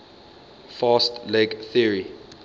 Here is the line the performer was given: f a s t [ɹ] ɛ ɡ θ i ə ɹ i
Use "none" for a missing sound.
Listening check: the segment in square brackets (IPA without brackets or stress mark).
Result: l